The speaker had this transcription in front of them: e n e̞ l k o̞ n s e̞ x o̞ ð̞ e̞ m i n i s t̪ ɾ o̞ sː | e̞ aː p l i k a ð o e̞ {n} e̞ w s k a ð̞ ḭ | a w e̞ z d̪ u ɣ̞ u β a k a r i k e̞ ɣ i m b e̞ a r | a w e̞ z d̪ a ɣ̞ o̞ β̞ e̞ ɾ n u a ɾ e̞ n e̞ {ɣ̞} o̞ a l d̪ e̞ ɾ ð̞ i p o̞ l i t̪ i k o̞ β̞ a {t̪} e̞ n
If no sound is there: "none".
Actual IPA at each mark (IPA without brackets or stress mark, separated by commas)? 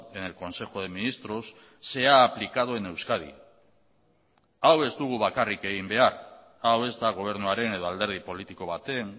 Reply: n, ð̞, t̪